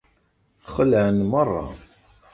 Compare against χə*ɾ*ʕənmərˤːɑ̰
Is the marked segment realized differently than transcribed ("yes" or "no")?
yes